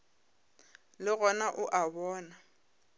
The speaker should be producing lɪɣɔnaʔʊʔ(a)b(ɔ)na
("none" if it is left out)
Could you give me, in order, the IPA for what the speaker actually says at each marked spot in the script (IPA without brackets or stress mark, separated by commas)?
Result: a, ɔː